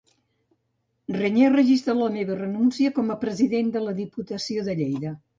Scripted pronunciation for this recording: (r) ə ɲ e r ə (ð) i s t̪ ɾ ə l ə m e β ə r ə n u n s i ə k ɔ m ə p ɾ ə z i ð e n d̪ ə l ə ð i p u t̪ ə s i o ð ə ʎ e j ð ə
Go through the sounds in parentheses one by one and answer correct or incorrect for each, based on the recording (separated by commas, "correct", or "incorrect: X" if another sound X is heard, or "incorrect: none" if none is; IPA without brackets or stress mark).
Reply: correct, incorrect: ʒ